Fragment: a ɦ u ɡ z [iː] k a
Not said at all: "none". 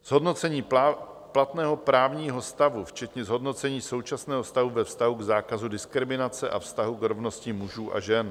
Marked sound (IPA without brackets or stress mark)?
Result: aː